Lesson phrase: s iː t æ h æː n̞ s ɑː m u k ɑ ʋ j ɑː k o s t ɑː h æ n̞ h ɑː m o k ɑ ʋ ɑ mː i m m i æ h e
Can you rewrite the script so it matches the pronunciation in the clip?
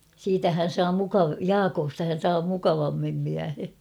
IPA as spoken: s iː t æ h æ n̞ s ɑː m u k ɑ ʋ j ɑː k o s t ɑ h æ n̞ s ɑː m u k ɑ ʋ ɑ mː i m m i æ h e